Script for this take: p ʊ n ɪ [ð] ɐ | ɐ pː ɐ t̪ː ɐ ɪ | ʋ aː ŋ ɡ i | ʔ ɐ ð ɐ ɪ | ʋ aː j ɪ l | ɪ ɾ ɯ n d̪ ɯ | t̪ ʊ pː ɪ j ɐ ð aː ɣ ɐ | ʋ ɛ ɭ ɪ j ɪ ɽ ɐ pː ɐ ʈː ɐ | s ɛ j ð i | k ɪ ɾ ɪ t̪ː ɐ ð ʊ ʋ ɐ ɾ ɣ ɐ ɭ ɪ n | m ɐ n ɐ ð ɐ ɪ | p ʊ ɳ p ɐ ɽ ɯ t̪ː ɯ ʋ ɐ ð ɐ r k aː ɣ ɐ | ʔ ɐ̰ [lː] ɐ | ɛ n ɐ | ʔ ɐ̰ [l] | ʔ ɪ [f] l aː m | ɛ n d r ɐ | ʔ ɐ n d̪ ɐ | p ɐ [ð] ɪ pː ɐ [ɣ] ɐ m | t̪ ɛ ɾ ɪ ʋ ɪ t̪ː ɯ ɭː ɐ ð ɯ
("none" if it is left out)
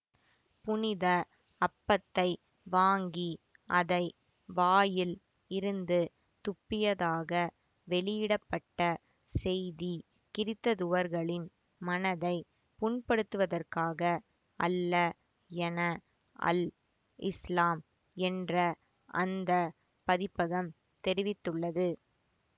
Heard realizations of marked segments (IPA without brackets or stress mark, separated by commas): ð, lː, l, s, ð, ɣ